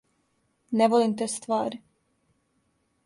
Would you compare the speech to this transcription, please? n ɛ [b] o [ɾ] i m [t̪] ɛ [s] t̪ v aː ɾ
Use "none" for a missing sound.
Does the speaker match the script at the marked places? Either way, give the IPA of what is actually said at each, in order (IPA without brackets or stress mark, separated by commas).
v, l, t̪, s